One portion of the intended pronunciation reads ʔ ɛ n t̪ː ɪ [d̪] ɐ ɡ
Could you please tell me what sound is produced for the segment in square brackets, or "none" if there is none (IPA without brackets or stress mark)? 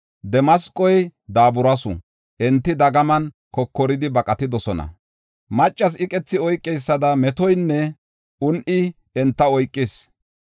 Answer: d̪